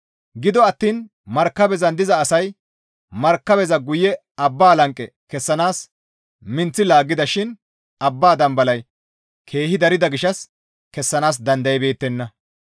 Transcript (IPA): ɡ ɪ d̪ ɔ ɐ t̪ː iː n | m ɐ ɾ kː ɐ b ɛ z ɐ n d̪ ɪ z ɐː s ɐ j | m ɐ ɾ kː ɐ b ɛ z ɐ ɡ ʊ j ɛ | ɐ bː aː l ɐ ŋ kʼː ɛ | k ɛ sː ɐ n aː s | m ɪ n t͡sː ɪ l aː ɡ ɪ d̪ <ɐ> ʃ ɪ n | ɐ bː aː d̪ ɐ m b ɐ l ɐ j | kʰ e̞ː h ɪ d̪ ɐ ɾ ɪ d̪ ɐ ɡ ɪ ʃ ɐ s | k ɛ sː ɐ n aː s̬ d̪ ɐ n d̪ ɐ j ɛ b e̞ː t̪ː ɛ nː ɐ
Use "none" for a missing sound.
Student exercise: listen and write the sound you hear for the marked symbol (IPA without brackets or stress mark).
ɐ